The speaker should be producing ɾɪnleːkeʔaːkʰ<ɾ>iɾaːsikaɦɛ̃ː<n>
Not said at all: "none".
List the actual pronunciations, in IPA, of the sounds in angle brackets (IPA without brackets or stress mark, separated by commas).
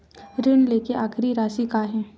ɾ, none